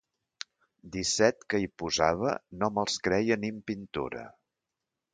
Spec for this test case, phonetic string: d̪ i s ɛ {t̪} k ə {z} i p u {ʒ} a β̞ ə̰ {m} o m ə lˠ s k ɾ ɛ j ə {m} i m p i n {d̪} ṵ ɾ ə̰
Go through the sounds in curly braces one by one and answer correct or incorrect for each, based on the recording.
correct, incorrect, incorrect, incorrect, incorrect, incorrect

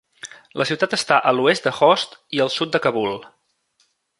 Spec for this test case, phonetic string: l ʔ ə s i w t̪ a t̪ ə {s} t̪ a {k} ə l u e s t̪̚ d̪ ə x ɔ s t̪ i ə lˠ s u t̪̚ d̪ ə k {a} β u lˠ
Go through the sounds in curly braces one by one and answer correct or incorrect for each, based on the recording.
correct, incorrect, incorrect

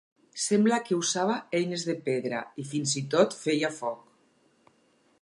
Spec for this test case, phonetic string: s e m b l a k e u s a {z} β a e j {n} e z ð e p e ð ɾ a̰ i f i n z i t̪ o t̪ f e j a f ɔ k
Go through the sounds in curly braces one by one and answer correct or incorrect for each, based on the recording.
incorrect, correct

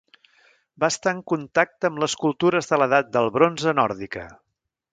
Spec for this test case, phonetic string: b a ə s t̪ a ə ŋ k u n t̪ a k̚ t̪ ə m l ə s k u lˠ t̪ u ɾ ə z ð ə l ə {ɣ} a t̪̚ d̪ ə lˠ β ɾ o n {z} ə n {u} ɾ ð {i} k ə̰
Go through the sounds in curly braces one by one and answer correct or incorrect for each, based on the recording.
incorrect, correct, incorrect, correct

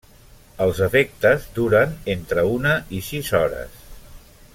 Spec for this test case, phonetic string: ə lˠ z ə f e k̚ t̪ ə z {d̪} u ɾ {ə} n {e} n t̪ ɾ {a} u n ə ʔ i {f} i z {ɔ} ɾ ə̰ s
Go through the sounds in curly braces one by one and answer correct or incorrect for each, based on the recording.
correct, correct, correct, incorrect, incorrect, correct

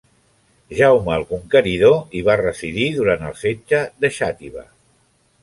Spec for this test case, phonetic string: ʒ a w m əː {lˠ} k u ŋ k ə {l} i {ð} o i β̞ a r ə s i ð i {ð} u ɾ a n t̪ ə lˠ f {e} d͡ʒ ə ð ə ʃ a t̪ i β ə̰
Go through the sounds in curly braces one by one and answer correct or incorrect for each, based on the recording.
correct, incorrect, correct, correct, correct

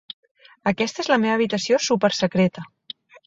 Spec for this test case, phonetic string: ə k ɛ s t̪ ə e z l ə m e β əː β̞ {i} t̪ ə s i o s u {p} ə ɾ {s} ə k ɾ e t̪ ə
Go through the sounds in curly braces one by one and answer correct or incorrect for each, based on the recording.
correct, correct, correct

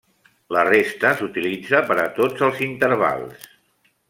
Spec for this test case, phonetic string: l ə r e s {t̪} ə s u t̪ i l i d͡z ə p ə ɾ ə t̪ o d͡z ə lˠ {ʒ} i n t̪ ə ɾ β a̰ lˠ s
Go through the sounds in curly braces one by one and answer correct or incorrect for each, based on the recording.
correct, incorrect

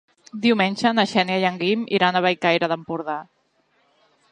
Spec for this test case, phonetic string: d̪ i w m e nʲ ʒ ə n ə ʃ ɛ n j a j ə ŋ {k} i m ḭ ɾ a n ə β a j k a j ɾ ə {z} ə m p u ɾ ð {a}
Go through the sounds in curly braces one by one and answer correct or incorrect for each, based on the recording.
incorrect, incorrect, correct

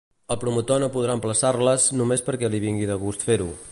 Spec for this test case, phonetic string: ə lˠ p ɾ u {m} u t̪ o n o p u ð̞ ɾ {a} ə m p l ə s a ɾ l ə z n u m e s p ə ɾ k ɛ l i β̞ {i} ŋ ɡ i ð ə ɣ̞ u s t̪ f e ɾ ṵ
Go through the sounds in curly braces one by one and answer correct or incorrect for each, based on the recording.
correct, correct, correct

